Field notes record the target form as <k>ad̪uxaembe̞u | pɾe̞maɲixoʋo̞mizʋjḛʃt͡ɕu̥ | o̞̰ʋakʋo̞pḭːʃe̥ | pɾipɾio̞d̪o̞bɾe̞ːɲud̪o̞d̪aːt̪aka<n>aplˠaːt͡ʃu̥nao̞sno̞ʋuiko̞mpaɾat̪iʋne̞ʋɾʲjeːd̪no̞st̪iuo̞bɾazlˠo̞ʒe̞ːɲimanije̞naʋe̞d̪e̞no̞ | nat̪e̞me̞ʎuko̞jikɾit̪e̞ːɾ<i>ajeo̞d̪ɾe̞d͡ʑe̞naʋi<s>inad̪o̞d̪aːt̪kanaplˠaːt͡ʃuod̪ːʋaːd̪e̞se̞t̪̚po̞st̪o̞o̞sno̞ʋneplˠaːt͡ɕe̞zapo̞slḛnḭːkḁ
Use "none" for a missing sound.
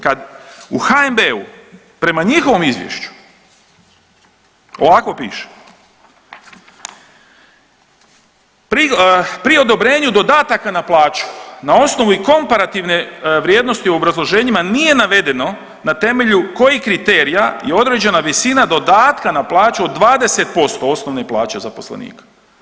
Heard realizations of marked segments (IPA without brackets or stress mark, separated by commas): k, n, i, s